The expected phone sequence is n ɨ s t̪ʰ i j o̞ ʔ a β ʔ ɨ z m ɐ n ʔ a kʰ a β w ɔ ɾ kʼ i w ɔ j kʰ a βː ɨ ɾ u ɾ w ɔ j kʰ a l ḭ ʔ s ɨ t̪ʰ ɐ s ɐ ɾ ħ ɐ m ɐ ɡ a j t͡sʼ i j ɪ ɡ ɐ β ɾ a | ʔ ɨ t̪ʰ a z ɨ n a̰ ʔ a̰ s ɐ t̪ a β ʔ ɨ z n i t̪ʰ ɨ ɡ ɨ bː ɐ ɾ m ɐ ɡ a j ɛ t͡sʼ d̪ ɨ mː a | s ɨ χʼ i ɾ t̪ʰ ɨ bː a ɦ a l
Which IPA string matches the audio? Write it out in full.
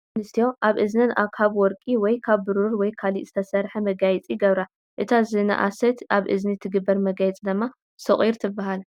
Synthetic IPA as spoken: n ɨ s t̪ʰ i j o̞ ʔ a β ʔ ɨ z n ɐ n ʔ a kʰ a β w ɔ ɾ kʼ i w ɔ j kʰ a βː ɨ ɾ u ɾ w ɔ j kʰ a l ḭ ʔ z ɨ t̪ʰ ɐ s ɐ ɾ ħ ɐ m ɐ ɡ a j t͡sʼ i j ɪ ɡ ɐ β ɾ a | ʔ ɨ t̪ʰ a z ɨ n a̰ ʔ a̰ s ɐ t̪ a β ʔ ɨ z n i t̪ʰ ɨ ɡ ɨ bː ɐ ɾ m ɐ ɡ a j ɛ t͡sʼ d̪ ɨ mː a | s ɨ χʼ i ɾ t̪ʰ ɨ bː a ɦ a l